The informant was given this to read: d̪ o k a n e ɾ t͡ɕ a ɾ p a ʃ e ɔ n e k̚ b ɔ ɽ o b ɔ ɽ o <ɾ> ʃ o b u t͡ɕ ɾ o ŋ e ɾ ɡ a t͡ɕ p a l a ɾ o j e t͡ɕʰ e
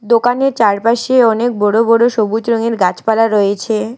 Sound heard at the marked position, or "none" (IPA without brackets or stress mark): none